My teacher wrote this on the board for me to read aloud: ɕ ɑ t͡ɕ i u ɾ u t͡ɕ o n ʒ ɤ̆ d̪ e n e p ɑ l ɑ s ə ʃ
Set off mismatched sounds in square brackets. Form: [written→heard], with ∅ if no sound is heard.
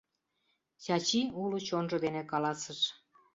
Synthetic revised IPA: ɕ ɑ t͡ɕ i u [ɾ→l] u t͡ɕ o n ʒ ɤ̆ d̪ e n e [p→k] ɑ l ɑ s ə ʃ